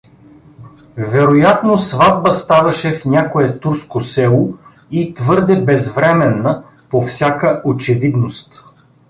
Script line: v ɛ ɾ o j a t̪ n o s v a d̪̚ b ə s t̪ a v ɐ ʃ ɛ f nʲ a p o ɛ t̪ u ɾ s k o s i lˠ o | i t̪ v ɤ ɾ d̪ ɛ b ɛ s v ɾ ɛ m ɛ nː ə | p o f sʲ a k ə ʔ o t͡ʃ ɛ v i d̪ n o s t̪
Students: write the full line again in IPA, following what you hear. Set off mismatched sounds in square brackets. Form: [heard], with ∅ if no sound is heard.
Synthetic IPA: v ɛ ɾ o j a t̪ n o s v a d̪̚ b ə s t̪ a v ɐ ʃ ɛ f nʲ a [k] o ɛ t̪ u ɾ s k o s [ɛ] lˠ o | i t̪ v ɤ ɾ d̪ ɛ b ɛ [z] v ɾ ɛ m ɛ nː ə | p o f sʲ a k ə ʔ o t͡ʃ ɛ v i d̪ n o s t̪